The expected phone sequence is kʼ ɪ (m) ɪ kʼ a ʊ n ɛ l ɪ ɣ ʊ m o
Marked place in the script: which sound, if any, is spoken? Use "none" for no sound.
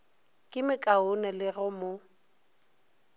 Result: m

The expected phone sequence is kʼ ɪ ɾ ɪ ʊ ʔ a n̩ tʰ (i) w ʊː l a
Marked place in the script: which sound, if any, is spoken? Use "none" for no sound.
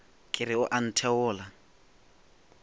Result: ɛ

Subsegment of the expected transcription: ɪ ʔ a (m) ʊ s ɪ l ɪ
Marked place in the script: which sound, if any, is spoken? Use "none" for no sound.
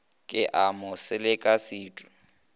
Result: m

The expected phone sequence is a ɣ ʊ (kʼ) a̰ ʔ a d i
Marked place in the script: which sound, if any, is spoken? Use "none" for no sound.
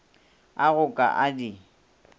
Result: kʼ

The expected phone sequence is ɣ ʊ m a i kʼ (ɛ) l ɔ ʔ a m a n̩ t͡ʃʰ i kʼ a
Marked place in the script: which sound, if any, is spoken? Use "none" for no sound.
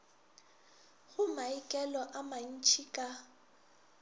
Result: ɛ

